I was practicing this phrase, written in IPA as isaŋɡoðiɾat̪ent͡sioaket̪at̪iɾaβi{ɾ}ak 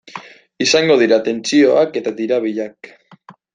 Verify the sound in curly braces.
incorrect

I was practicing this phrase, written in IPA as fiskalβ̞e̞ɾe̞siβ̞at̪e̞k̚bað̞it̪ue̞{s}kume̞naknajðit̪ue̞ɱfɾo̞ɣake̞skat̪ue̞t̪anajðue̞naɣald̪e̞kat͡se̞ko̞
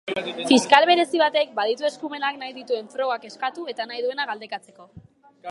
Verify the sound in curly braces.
correct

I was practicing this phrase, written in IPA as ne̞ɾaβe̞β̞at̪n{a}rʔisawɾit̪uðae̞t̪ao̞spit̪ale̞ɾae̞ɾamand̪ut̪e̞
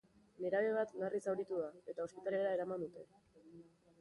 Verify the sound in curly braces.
correct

